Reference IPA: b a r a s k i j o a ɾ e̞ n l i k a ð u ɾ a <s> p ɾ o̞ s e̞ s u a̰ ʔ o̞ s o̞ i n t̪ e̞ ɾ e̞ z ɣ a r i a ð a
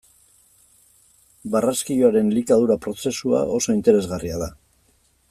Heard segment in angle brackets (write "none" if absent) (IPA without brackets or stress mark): none